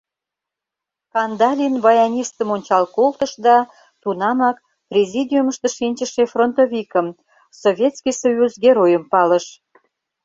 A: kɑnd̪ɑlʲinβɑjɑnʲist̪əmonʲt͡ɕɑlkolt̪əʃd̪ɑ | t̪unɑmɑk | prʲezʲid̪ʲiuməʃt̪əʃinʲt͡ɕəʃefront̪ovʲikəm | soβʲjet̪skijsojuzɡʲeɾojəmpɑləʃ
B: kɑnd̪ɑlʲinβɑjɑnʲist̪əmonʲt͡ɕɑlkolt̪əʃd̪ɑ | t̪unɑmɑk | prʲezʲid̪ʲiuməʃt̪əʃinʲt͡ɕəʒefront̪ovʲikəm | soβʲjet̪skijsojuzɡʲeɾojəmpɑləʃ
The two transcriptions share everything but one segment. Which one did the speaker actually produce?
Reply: A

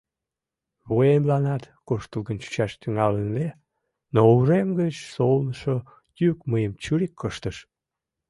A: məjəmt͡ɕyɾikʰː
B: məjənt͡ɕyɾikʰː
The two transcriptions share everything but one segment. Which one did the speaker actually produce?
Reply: A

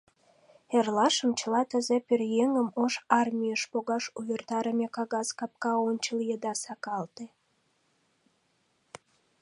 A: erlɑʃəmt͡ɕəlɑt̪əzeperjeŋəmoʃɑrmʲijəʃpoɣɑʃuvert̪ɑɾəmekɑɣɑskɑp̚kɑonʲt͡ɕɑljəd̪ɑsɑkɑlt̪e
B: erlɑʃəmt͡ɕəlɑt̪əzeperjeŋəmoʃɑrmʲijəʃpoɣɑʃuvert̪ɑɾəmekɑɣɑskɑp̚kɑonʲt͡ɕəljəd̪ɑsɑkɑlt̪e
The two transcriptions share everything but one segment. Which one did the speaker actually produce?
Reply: B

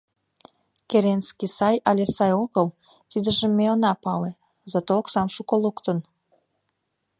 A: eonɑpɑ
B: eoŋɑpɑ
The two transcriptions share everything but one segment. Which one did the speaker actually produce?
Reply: A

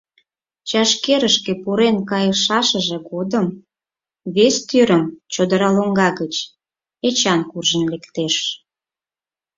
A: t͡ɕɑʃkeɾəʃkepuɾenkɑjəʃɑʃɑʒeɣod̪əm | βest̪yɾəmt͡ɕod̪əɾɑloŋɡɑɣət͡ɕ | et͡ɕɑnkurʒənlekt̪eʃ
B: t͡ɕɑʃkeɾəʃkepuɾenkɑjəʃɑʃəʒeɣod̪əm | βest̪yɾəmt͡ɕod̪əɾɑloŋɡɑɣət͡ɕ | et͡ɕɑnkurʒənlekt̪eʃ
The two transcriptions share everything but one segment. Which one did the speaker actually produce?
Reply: B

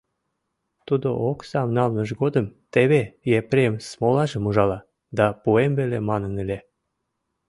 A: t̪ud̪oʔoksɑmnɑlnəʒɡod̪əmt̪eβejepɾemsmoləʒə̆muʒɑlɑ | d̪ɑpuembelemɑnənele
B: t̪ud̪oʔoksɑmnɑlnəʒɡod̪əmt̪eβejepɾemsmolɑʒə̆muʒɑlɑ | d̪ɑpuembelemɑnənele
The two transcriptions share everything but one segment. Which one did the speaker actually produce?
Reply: B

